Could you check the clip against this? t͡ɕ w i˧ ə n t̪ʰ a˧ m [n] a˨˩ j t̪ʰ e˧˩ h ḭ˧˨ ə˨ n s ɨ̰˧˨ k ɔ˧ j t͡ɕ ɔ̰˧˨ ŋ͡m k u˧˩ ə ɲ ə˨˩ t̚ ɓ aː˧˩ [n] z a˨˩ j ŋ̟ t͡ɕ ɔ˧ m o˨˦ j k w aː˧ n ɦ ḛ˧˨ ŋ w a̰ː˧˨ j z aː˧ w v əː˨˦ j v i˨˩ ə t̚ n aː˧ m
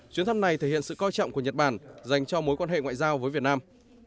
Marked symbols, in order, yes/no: yes, yes

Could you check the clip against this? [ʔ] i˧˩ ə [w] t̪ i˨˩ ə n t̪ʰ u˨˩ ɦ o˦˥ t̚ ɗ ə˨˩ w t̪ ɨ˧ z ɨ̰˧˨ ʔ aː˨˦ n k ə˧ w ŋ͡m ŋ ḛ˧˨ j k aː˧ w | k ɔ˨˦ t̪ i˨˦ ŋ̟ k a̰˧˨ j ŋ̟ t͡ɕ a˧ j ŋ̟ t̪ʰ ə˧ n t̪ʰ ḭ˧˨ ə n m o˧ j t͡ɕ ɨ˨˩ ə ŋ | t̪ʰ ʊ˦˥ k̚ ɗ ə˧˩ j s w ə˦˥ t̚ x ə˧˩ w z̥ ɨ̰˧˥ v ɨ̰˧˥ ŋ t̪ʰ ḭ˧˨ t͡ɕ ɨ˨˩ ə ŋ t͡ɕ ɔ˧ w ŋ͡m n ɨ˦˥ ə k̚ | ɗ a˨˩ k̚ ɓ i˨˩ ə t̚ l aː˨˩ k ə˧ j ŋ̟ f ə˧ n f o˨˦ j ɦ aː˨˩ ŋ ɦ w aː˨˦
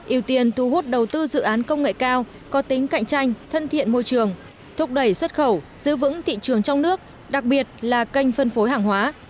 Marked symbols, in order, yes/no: yes, yes

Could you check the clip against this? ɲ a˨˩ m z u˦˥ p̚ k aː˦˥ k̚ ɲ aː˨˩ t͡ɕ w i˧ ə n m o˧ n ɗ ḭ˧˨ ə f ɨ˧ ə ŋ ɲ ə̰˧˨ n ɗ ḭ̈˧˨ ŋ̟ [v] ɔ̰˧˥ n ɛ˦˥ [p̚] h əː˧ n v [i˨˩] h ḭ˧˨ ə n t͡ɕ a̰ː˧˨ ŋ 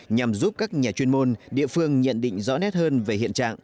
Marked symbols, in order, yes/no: no, no, no

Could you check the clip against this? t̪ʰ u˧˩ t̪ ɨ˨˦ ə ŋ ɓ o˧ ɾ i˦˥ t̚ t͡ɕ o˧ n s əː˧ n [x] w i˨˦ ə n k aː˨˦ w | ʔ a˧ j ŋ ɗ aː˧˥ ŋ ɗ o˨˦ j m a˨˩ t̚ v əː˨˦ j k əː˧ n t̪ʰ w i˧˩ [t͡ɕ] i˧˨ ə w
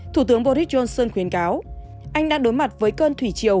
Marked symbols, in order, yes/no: yes, yes

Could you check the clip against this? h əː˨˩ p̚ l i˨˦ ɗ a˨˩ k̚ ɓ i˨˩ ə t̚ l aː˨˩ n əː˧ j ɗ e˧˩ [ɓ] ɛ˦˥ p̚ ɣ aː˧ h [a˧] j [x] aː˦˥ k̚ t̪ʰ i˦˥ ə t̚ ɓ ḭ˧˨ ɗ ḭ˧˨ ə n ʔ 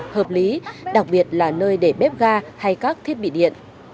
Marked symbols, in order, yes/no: yes, yes, no

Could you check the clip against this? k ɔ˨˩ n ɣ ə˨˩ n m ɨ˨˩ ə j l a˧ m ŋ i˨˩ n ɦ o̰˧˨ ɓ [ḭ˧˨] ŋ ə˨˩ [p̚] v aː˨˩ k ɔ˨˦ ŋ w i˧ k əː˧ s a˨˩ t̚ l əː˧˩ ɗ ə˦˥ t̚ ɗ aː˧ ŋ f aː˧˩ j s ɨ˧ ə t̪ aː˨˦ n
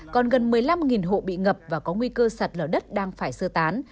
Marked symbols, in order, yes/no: yes, yes

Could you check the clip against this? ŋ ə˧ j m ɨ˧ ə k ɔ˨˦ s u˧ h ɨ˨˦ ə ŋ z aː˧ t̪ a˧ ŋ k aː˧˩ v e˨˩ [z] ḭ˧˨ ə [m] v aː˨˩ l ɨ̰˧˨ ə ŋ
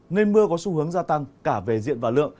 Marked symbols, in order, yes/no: yes, no

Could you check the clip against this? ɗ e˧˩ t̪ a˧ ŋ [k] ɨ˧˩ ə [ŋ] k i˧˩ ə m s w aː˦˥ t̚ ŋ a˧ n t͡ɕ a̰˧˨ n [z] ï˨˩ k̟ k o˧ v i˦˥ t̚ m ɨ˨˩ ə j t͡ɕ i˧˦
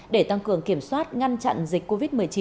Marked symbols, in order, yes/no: yes, yes, yes

